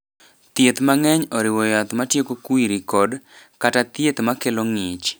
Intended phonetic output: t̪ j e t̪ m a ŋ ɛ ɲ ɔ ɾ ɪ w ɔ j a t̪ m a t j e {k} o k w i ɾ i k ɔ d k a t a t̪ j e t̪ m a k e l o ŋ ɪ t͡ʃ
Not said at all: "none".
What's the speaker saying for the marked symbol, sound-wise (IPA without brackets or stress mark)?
k